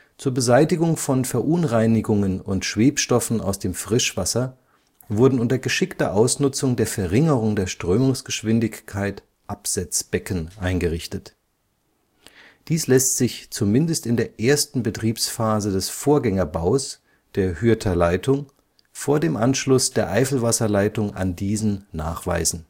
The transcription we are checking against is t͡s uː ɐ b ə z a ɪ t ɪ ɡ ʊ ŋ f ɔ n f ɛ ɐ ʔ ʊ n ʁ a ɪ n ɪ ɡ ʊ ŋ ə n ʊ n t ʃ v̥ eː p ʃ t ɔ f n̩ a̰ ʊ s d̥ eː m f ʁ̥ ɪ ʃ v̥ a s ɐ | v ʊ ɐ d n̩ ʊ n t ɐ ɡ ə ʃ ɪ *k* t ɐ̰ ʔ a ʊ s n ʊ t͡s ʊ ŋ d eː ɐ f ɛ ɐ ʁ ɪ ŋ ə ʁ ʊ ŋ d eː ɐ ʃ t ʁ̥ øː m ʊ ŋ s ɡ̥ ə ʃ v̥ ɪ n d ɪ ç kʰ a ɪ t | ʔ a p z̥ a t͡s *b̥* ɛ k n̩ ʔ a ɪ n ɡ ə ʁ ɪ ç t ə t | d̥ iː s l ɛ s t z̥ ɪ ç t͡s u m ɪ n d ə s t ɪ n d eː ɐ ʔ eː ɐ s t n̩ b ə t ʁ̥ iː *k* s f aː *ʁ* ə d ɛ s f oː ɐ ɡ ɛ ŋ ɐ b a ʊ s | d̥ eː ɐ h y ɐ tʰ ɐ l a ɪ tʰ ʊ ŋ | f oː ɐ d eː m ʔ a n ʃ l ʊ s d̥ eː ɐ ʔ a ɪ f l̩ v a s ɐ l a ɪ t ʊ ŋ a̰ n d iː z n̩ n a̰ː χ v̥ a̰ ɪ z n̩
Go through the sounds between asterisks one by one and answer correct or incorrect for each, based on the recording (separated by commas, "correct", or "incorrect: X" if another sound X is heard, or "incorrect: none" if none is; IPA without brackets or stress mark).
correct, correct, incorrect: p, incorrect: z